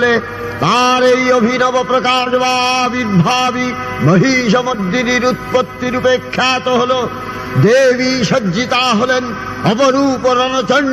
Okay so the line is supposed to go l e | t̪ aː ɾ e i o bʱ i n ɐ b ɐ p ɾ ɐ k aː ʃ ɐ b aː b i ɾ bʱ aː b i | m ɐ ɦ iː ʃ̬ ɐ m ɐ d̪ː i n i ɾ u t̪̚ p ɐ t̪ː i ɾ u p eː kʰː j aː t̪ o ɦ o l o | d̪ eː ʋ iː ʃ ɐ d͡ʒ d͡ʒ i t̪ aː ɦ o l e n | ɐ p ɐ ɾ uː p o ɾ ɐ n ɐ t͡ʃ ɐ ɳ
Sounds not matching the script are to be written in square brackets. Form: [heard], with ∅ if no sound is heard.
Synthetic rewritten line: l e | t̪ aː ɾ e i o bʱ i n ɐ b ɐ p ɾ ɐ k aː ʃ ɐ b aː b i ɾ bʱ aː b i | m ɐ ɦ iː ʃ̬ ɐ m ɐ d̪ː i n i ɾ u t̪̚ p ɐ t̪ː i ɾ u p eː kʰː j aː t̪ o ɦ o l o | d̪ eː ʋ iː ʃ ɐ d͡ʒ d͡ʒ i t̪ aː ɦ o l e n | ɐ p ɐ ɾ uː p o ɾ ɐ n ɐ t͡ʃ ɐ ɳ